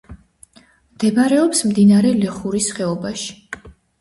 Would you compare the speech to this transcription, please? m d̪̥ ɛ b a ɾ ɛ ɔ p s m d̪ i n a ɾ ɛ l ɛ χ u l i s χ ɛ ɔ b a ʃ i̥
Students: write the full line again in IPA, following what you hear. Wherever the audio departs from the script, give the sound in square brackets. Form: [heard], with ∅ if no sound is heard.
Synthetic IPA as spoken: m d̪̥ ɛ b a ɾ ɛ ɔ p s m d̪ i n a ɾ ɛ l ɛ χ u [ɾ] i s χ ɛ ɔ b a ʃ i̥